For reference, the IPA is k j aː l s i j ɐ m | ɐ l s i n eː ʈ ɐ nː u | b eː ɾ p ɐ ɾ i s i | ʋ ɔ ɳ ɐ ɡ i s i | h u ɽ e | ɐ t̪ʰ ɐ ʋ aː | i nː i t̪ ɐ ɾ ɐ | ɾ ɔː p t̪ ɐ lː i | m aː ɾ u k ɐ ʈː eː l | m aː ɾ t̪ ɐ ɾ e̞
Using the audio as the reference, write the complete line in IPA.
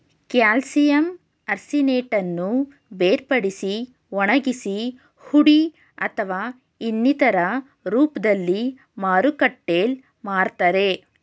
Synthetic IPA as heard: k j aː l s i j ɐ m | ɐ ɾ s i n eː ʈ ɐ nː u | b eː ɾ p ɐ ɽ i s i | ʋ ɔ ɳ ɐ ɡ i s i | h u ɽ i | ɐ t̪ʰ ɐ ʋ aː | i nː i t̪ ɐ ɾ ɐ | ɾ uː p d̪ ɐ lː i | m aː ɾ u k ɐ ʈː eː l | m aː ɾ t̪ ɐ ɾ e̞

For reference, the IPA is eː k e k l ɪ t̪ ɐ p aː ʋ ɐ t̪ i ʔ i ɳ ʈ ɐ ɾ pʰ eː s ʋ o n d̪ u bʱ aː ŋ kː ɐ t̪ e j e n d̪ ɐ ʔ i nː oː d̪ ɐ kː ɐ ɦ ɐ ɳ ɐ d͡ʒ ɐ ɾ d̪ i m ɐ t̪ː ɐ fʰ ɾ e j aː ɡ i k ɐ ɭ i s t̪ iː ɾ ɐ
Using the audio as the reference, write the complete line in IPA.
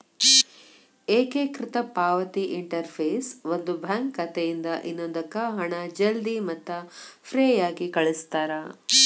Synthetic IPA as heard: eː k e k ɾ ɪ t̪ ɐ p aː ʋ ɐ t̪ i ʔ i ɳ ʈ ɐ ɾ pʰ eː s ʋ o n d̪ u bʱ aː ŋ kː ɐ t̪ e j i n d̪ ɐ ʔ i nː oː d̪ ɐ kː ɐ ɦ ɐ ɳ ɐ d͡ʒ ɐ l d̪ i m ɐ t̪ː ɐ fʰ ɾ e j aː ɡ i k ɐ ɭ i s t̪ aː ɾ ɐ

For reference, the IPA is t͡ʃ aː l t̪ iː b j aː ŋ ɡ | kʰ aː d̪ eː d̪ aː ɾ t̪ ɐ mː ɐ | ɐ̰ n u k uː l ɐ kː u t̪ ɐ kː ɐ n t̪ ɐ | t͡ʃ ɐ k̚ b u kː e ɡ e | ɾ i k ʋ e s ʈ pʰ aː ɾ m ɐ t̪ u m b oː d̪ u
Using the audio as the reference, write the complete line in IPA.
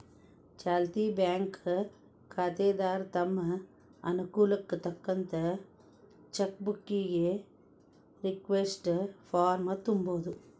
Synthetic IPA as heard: t͡ʃ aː l t̪ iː b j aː ŋ k | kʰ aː t̪ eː d̪ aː ɾ t̪ ɐ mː ɐ | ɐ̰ n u k uː l ɐ kː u t̪ ɐ kː ɐ n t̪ ɐ | t͡ʃ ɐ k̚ b u kː i ɡ e | ɾ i k ʋ e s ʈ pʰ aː ɾ m ɐ t̪ u m b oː d̪ u

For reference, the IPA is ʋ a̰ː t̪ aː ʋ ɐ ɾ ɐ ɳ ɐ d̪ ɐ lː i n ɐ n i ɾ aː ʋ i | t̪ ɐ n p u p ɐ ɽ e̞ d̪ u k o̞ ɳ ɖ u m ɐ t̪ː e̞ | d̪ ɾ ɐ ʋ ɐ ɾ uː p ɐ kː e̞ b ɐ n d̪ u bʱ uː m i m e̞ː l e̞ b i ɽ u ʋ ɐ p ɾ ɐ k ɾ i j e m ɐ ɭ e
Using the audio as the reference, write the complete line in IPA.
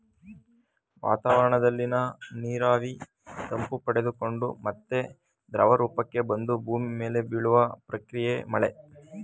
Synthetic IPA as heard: ʋ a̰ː t̪ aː ʋ ɐ ɾ ɐ ɳ ɐ d̪ ɐ lː i n ɐ n iː ɾ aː ʋ i | t̪ ɐ m p u p ɐ ɽ e̞ d̪ u k o̞ ɳ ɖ u m ɐ t̪ː e̞ | d̪ ɾ ɐ ʋ ɐ ɾ uː p ɐ kː e̞ b ɐ n d̪ u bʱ uː m i m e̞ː l e̞ b i ɭ u ʋ ɐ p ɾ ɐ k ɾ i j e m ɐ ɭ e

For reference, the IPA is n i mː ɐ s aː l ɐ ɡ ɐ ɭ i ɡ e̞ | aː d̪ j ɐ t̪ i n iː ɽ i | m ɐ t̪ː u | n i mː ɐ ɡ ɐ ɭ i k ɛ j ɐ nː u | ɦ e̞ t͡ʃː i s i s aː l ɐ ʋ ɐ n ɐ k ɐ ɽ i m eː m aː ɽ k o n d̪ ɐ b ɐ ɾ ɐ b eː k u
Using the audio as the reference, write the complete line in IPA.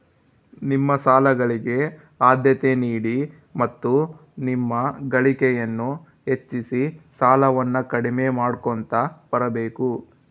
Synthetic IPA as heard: n i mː ɐ s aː l ɐ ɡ ɐ ɭ i ɡ e̞ | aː d̪ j ɐ t̪ e n iː ɽ i | m ɐ t̪ː u | n i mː ɐ ɡ ɐ ɭ i k ɛ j ɐ nː u | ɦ e̞ t͡ʃː i s i s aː l ɐ ʋ ɐ nː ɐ k ɐ ɽ i m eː m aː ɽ k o n t̪ ɐ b ɐ ɾ ɐ b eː k u

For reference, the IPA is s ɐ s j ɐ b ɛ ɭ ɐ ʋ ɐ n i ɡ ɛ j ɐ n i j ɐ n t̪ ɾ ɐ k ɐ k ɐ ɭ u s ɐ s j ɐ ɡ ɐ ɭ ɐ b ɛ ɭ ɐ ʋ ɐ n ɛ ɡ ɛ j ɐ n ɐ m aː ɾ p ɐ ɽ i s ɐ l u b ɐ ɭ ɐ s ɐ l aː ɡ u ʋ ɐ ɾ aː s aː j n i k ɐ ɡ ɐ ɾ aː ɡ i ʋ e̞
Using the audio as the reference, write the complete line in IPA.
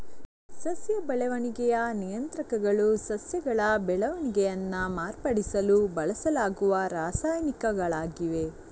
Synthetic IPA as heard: s ɐ s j ɐ b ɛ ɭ ɐ ʋ ɐ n i ɡ ɛ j ɐ n i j ɐ n t̪ ɾ ɐ k ɐ ɡ ɐ ɭ u s ɐ s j ɐ ɡ ɐ ɭ ɐ b ɛ ɭ ɐ ʋ ɐ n i ɡ ɛ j ɐ nː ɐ m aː ɾ p ɐ ɽ i s ɐ l u b ɐ ɭ ɐ s ɐ l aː ɡ u ʋ ɐ ɾ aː s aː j n i k ɐ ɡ ɐ ɭ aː ɡ i ʋ e̞

